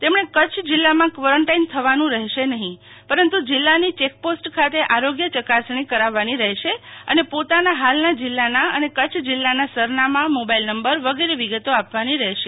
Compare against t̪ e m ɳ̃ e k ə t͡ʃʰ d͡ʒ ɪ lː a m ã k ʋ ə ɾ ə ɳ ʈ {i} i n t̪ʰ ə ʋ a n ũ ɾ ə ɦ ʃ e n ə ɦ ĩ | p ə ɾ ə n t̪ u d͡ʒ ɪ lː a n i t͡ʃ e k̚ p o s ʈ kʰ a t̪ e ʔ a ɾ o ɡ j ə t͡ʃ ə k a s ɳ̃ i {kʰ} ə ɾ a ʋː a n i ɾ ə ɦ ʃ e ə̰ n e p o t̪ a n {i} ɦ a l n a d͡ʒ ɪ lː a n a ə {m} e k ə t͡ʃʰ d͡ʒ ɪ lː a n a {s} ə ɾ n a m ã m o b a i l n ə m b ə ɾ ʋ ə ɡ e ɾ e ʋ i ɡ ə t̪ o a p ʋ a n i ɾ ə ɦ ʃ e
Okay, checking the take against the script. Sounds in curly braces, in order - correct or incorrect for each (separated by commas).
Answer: incorrect, incorrect, incorrect, incorrect, correct